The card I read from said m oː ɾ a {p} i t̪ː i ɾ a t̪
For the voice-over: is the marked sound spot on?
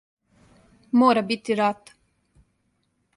no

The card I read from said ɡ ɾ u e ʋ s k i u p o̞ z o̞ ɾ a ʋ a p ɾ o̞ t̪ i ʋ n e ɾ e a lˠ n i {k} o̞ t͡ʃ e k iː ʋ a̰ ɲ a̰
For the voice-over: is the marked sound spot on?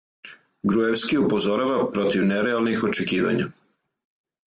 no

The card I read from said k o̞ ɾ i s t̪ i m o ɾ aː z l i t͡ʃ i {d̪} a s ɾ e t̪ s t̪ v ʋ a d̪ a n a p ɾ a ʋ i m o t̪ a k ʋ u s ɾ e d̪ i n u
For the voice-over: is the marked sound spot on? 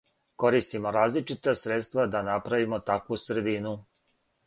no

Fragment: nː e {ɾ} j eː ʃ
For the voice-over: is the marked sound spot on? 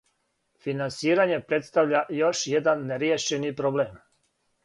yes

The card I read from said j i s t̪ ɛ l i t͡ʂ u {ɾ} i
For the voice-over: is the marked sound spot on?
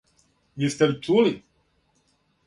no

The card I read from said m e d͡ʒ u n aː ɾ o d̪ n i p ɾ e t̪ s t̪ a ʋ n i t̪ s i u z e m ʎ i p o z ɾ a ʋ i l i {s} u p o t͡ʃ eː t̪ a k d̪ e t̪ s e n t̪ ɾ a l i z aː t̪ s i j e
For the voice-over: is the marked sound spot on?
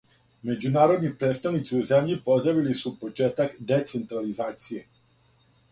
yes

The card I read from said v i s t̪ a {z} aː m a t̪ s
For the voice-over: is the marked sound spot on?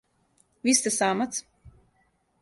no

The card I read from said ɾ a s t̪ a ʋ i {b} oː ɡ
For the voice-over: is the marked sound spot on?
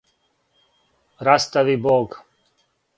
yes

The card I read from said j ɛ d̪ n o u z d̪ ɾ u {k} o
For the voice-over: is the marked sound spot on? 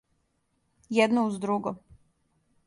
no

